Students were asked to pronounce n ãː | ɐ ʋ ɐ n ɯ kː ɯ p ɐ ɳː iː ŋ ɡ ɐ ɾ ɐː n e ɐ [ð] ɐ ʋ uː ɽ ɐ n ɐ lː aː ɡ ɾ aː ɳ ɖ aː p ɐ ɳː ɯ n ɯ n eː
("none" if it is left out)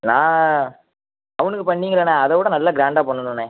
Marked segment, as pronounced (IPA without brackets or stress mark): ð